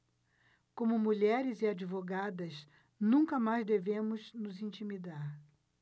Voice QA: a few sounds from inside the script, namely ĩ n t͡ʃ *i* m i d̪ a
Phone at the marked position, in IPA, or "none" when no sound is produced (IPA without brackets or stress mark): i